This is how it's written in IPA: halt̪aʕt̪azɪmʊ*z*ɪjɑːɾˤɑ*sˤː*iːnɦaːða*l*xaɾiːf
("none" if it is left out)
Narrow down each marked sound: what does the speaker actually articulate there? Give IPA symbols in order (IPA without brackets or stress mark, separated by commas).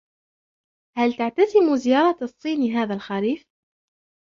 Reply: z, sˤː, l